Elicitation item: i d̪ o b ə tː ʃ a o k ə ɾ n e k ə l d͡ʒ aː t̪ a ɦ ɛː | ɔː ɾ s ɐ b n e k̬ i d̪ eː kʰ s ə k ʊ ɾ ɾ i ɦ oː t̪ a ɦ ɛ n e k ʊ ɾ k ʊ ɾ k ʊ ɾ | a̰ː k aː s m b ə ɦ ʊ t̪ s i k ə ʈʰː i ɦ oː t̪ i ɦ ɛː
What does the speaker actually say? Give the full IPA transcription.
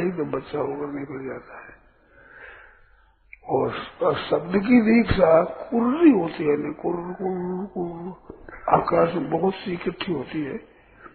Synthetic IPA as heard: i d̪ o b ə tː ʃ a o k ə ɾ n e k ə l d͡ʒ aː t̪ a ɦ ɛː | ɔː ɾ s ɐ b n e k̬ i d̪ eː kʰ s a k ʊ ɾ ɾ i ɦ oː t̪ i ɦ ɛ n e k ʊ ɾ k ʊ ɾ k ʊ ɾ | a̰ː k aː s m b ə ɦ ʊ t̪ s i k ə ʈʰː i ɦ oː t̪ i ɦ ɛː